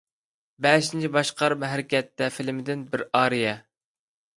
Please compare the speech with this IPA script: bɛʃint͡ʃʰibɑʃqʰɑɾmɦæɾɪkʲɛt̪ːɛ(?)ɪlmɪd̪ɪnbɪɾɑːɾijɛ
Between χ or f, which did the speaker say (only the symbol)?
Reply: f